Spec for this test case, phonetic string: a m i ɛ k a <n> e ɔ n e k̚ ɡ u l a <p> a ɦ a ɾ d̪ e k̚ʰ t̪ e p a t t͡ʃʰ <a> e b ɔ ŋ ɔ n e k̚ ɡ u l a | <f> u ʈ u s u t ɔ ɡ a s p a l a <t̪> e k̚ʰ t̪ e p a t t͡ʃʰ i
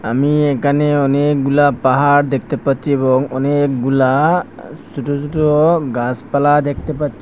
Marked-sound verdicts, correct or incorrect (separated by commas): correct, correct, incorrect, incorrect, incorrect